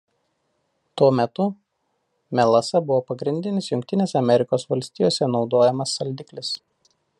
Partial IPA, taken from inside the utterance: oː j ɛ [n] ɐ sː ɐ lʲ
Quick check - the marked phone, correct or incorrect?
incorrect